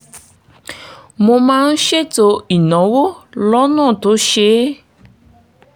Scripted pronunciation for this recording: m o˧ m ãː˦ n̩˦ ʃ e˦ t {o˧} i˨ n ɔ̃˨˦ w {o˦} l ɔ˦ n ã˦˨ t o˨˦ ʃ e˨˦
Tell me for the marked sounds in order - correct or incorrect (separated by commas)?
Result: correct, correct